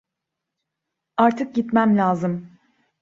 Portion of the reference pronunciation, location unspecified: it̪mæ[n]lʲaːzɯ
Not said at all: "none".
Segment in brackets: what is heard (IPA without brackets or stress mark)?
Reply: m